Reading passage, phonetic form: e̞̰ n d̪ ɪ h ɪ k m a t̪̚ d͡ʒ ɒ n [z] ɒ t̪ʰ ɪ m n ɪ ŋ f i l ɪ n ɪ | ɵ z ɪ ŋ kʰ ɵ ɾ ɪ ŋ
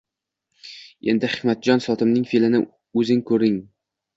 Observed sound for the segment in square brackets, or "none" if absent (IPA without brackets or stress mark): s